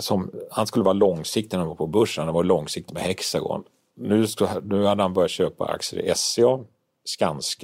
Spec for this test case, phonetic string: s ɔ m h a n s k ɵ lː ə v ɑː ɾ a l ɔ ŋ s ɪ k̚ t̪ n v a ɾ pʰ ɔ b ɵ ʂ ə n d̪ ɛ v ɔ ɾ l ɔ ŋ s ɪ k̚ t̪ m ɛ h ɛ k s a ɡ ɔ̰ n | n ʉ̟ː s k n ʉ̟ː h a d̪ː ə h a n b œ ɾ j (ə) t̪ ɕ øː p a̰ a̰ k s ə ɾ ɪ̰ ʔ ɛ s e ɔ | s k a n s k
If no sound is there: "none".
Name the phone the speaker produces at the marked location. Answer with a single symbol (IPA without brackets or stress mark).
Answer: a